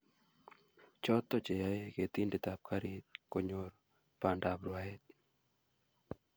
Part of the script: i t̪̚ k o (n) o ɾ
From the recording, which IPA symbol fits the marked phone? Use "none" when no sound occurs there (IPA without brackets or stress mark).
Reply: ɲ